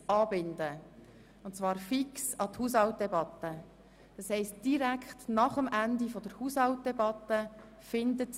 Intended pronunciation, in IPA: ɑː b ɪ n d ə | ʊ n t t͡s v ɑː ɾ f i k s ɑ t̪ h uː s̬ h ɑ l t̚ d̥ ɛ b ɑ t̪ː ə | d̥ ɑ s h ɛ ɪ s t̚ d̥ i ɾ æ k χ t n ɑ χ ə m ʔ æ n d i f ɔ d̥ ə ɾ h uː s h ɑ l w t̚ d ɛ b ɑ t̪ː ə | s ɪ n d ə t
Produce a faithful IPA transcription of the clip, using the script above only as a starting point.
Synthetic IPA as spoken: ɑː b ɪ n d ə | ʊ n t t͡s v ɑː ɾ f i k s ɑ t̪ h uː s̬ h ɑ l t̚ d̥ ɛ b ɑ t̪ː ə | d̥ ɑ s h ɛ ɪ s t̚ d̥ i ɾ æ k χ t n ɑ χ ə m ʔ æ n d i f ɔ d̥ ə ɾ h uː s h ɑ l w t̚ d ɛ b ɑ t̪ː ə | f ɪ n d ə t